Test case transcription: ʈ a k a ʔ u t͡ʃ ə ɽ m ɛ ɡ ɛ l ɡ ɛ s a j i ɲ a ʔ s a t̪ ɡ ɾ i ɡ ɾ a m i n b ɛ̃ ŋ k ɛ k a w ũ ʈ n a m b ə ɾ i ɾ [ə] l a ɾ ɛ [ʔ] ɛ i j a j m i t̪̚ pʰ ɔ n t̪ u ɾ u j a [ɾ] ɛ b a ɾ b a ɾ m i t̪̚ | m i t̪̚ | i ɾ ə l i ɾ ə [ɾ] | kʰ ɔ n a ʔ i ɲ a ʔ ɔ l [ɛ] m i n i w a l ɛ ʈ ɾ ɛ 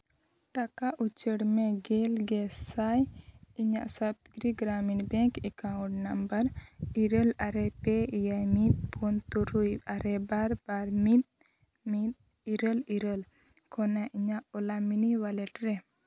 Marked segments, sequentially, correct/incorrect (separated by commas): correct, incorrect, correct, incorrect, incorrect